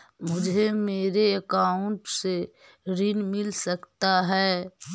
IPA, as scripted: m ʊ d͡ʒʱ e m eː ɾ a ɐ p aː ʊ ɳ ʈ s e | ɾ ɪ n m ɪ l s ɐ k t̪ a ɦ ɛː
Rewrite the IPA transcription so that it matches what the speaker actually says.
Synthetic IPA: m ʊ d͡ʒʱ e m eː ɾ e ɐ k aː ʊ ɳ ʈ s e | ɾ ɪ n m ɪ l s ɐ k t̪ a ɦ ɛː